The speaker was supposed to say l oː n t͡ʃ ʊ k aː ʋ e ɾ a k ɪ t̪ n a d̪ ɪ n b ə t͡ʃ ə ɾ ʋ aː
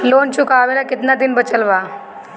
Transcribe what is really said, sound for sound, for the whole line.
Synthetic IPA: l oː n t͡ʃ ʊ k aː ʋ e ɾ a k ɪ t̪ n a d̪ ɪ n b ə t͡ʃ ə l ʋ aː